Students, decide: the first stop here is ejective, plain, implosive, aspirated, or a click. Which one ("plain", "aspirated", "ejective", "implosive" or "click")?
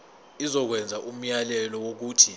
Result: plain